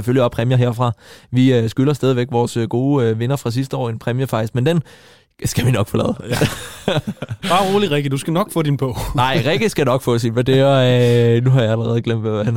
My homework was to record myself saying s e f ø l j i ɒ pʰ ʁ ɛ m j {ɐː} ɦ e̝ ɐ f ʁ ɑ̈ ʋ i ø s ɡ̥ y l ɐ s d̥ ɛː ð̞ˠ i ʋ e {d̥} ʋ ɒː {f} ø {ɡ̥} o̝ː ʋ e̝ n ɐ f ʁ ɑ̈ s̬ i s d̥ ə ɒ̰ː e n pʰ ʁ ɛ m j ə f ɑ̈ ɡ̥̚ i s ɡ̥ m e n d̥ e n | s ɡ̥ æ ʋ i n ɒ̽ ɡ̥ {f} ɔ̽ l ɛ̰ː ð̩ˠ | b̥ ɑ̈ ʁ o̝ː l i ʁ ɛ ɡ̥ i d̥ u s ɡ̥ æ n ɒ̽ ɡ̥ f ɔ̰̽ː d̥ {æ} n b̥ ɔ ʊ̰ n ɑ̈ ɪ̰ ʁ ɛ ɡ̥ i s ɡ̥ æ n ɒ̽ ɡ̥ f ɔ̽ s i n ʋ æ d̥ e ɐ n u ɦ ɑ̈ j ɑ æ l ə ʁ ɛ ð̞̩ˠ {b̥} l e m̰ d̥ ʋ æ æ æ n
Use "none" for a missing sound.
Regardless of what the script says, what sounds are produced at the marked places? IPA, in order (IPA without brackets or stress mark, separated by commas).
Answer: ɐ, ɡ̥, s, ɡ̥, f, i, ɡ̥